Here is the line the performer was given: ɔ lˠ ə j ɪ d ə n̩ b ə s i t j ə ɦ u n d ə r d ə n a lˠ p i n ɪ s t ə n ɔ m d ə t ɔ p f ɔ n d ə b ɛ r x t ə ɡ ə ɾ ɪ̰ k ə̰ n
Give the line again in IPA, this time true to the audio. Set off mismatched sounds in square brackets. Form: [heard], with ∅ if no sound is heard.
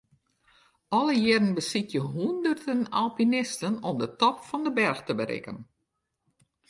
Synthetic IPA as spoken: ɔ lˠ ə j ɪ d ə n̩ b ə s i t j ə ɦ u n d ə r d ə n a lˠ p i n ɪ s t ə n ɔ m d ə t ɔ p f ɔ n d ə b ɛ r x t ə [b] ə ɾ ɪ̰ k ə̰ n